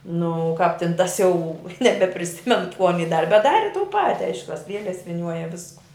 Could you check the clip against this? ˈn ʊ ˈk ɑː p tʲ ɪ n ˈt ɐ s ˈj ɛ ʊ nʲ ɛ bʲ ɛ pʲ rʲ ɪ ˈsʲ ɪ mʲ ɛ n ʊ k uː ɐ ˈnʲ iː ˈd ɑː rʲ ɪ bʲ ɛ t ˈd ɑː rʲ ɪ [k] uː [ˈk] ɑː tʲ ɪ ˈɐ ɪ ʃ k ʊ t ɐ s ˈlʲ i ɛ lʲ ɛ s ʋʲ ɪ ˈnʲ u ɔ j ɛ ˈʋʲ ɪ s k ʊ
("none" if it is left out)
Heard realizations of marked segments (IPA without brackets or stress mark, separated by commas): t, p